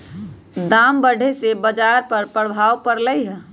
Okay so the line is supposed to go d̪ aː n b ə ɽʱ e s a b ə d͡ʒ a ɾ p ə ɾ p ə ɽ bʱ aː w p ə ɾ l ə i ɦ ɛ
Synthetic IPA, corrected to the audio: d̪ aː m b ə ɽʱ e s e b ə d͡ʒ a ɾ p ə ɾ p ə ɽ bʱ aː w p ə ɾ l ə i ɦ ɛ

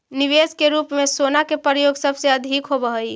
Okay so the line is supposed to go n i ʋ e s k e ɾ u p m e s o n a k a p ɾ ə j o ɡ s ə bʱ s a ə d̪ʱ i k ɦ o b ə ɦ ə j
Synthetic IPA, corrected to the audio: n i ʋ e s k e ɾ u p m e s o n a k e p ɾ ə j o ɡ s ə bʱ s e ə d̪ʱ i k ɦ o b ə ɦ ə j

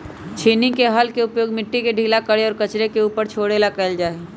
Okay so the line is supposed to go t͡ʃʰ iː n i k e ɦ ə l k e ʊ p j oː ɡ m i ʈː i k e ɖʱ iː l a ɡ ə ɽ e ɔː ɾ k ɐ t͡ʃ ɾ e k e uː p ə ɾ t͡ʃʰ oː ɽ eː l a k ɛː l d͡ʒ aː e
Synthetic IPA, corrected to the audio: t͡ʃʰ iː n i k e ɦ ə l k e ʊ p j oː ɡ m ɪ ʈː i k e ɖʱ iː l a k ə ɽ e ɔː ɾ k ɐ t͡ʃ ɾ e k e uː p ə ɾ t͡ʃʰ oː ɽ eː l a k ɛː l d͡ʒ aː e

